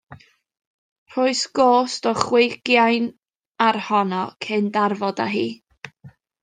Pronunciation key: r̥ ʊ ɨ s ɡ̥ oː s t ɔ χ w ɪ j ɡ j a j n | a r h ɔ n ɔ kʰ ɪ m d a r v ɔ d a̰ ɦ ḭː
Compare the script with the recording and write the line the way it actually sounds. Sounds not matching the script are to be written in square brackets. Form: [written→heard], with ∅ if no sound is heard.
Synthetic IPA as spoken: r̥ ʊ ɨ s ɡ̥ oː s t ɔ χ w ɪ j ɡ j a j n | a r h ɔ n ɔ kʰ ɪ [m→n] d a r v ɔ d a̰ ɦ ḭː